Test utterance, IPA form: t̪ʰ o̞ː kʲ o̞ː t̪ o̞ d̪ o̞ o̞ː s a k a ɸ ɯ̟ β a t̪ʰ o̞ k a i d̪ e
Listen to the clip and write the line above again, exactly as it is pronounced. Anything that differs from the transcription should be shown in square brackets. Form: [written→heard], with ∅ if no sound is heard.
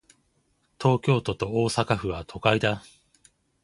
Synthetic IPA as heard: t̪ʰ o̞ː kʲ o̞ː t̪ o̞ [d̪→t̪] o̞ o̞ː s a k a ɸ ɯ̟ β a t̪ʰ o̞ k a i d̪ [e→a]

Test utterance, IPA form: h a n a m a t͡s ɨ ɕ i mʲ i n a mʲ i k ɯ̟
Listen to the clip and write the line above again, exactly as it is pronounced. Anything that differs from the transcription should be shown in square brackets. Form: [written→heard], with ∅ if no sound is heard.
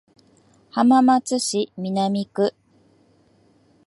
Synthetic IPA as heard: h a [n→m] a m a t͡s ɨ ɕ i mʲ i n a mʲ i k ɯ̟

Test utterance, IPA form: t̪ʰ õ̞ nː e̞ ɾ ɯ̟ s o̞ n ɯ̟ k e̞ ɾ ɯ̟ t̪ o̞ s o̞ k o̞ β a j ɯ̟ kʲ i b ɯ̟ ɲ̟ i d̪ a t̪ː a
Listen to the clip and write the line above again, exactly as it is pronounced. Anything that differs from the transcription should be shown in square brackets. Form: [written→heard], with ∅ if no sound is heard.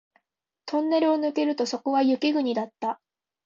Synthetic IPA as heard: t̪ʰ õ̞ nː e̞ ɾ ɯ̟ [s→∅] o̞ n ɯ̟ k e̞ ɾ ɯ̟ t̪ o̞ s o̞ k o̞ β a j ɯ̟ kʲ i [b→ɡ] ɯ̟ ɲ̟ i d̪ a t̪ː a

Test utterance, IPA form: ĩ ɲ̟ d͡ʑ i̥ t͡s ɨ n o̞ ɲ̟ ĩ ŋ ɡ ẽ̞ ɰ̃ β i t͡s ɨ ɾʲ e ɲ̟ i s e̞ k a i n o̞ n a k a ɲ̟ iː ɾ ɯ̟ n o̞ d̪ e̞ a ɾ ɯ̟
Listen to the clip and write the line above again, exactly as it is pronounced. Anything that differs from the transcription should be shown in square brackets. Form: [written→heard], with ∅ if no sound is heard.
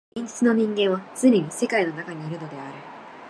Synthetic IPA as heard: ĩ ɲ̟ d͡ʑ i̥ t͡s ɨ n o̞ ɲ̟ ĩ ŋ ɡ ẽ̞ ɰ̃ β [i→a] t͡s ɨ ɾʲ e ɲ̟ i s e̞ k a i n o̞ n a k a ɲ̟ iː ɾ ɯ̟ n o̞ d̪ e̞ a ɾ ɯ̟

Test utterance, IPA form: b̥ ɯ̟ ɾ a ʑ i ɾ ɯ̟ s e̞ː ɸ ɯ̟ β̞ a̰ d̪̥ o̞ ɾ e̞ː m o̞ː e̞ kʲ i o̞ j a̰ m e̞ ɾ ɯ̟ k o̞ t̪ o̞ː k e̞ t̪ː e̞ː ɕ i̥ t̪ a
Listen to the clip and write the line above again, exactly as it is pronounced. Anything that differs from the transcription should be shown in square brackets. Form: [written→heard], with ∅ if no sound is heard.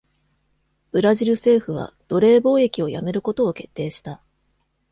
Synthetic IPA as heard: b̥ ɯ̟ ɾ a ʑ i ɾ ɯ̟ s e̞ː ɸ ɯ̟ β̞ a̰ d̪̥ o̞ ɾ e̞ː [m→b] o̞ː e̞ kʲ i o̞ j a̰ m e̞ ɾ ɯ̟ k o̞ t̪ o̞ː k e̞ t̪ː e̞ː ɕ i̥ t̪ a

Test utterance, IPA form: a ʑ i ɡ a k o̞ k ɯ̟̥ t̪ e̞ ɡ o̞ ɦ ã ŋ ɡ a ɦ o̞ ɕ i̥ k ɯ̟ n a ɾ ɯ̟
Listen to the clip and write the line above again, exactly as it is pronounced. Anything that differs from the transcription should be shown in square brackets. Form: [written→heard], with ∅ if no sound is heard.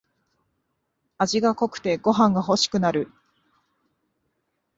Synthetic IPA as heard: a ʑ i ɡ a k o̞ k ɯ̟̥ t̪ e̞ ɡ o̞ ɦ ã ŋ ɡ a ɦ o̞ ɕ i̥ k ɯ̟ n a ɾ ɯ̟

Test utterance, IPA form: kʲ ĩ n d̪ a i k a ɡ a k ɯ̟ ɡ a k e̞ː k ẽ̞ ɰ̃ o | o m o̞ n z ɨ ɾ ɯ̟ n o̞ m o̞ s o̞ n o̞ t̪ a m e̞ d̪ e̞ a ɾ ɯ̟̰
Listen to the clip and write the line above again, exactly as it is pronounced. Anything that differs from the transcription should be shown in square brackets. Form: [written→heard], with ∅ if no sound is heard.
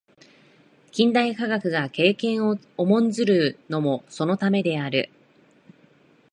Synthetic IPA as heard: kʲ ĩ n d̪ a i k a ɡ a k ɯ̟ ɡ a k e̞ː k ẽ̞ ɰ̃ o | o m [o̞→õ̞] n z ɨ ɾ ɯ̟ n o̞ m o̞ s o̞ n o̞ t̪ a m e̞ d̪ e̞ a ɾ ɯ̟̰

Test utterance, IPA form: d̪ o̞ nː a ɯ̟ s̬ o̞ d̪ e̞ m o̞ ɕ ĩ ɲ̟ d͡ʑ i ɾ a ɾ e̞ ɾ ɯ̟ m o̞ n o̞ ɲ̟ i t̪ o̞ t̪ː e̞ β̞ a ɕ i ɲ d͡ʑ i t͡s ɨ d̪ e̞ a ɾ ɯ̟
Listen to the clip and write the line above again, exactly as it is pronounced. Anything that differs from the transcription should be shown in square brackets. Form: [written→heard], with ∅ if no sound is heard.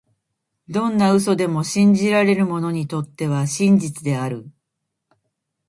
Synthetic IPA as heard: d̪ [o̞→õ̞] nː a ɯ̟ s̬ o̞ d̪ e̞ m o̞ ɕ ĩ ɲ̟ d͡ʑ i ɾ a ɾ e̞ ɾ ɯ̟ m o̞ n o̞ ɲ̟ i t̪ o̞ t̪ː e̞ β̞ a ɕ [i→ĩ] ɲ d͡ʑ i t͡s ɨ d̪ e̞ a ɾ ɯ̟

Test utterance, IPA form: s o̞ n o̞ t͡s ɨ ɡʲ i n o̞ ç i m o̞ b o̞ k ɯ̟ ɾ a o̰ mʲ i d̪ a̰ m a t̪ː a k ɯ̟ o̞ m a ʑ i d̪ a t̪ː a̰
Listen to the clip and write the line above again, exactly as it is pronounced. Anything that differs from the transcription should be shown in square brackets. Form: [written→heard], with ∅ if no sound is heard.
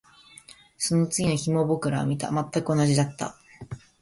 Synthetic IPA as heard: s o̞ n o̞ t͡s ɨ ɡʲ i n o̞ ç i m o̞ b o̞ k ɯ̟ ɾ a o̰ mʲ i [d̪→t̪] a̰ m a t̪ː a k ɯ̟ o̞ [m→n] a ʑ i d̪ a t̪ː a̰

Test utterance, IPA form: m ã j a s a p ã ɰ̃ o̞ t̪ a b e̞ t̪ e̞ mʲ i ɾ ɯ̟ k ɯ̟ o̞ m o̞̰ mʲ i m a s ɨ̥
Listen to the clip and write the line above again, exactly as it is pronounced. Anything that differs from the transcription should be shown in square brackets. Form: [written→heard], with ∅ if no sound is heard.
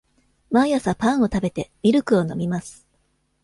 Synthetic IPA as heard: m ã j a s a p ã ɰ̃ o̞ t̪ a b e̞ t̪ e̞ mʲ i ɾ ɯ̟ k ɯ̟ o̞ [m→n] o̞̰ mʲ i m a s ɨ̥

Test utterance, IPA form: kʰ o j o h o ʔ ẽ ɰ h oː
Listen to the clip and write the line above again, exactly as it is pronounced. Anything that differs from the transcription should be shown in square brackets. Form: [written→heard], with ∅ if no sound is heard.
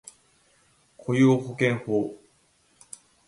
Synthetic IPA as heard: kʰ o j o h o [ʔ→k] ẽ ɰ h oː

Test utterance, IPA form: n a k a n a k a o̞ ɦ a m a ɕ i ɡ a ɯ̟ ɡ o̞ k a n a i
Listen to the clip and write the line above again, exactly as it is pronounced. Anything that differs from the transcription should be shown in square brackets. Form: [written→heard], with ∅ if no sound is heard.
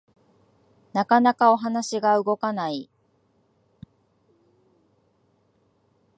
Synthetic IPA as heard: n a k a n a k a o̞ ɦ a [m→n] a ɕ i ɡ a ɯ̟ ɡ o̞ k a n a i

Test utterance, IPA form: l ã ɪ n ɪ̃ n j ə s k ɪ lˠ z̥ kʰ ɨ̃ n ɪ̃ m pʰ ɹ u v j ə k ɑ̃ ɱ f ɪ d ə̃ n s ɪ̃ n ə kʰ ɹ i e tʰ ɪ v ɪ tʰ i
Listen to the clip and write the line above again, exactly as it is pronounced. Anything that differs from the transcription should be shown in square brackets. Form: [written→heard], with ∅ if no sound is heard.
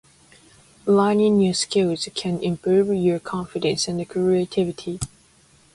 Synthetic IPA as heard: l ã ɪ n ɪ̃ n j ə s k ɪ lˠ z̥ kʰ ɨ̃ n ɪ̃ m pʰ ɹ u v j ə [k→kʰ] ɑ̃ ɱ f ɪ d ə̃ n s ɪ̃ n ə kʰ ɹ i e tʰ ɪ v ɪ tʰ i

